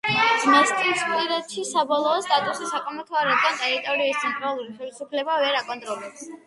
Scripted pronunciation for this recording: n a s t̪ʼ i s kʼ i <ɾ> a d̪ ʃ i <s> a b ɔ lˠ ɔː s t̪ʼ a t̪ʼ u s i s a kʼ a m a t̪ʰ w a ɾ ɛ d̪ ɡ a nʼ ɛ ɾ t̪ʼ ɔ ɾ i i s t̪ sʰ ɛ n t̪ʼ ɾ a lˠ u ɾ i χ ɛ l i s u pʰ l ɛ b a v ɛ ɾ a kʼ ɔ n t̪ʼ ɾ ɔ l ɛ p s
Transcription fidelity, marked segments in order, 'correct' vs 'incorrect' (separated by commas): correct, correct